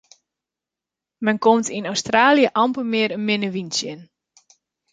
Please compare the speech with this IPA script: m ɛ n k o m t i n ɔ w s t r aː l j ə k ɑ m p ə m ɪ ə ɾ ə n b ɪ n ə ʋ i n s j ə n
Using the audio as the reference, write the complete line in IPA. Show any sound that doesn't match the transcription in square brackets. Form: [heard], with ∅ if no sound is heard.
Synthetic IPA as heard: m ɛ n k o m t i n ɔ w s t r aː l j ə [ʔ] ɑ m p ə m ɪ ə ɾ ə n [m] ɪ n ə ʋ i n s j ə n